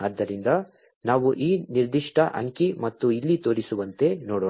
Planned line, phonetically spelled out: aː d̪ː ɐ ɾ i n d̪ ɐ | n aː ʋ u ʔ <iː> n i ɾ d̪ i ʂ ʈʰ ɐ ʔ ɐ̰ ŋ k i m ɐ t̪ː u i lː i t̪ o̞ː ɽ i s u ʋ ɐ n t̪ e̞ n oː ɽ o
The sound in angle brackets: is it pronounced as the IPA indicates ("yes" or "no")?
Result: yes